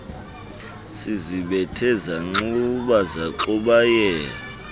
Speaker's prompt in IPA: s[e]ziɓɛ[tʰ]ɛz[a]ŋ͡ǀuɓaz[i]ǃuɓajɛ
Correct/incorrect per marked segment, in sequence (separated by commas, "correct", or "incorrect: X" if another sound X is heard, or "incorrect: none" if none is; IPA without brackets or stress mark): incorrect: i, correct, correct, incorrect: a